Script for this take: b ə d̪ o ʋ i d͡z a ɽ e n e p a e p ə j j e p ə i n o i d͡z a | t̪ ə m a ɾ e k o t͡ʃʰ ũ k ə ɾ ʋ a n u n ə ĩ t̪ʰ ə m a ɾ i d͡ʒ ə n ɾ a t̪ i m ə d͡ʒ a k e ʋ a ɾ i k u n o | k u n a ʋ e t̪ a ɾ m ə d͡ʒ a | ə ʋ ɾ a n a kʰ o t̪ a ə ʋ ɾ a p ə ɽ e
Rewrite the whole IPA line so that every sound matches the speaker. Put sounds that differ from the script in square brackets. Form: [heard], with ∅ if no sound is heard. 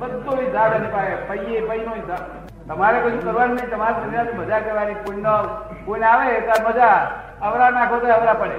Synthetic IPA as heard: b ə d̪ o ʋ i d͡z a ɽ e n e p a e p ə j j e p ə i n o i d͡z a | t̪ ə m a ɾ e k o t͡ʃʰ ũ k ə ɾ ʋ a n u n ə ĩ [t̪] ə m a ɾ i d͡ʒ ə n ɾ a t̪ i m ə d͡ʒ a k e ʋ a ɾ i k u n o | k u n a ʋ e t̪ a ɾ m ə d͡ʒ a | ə ʋ ɾ a n a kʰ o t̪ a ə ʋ ɾ a p ə ɽ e